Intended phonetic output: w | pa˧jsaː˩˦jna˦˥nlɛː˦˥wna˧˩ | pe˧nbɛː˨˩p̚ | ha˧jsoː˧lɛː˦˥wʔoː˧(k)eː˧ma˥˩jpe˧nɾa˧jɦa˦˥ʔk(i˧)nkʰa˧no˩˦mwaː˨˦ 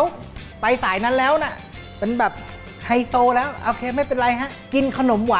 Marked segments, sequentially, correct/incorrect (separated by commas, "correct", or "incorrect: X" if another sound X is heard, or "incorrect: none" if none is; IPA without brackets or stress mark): incorrect: kʰ, correct